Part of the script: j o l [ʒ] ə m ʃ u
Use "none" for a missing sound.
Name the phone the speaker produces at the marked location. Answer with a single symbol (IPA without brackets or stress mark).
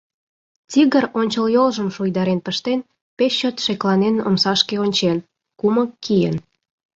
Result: ʒ